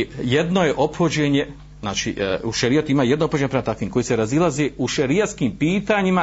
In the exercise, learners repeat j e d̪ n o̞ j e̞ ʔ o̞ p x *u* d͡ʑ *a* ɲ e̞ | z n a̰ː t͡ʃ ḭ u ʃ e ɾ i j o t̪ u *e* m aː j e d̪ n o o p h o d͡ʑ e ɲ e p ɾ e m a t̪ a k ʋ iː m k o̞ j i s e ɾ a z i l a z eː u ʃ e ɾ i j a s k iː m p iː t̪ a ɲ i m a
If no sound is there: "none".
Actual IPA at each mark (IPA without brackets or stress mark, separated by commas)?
o, e, i